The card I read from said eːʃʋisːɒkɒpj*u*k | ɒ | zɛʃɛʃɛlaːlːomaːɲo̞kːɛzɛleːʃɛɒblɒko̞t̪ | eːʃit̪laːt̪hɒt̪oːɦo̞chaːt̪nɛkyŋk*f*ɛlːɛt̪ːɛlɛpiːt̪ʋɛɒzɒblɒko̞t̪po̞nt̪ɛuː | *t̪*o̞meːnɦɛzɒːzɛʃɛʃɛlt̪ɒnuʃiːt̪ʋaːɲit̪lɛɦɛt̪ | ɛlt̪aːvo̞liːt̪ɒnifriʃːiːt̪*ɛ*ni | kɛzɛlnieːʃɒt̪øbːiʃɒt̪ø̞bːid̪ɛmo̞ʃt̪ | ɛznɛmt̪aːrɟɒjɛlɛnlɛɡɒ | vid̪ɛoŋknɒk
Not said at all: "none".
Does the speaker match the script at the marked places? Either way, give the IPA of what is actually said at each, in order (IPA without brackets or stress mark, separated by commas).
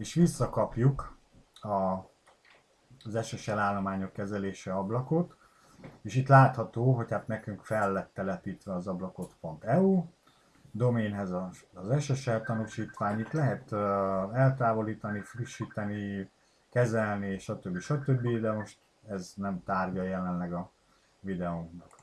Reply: u, f, d̪, ɛ